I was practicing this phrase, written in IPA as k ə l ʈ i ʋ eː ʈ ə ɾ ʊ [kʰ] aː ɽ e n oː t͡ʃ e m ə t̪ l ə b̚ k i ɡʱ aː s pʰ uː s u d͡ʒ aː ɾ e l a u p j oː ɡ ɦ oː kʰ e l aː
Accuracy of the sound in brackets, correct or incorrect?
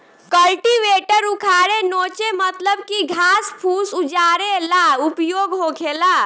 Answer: correct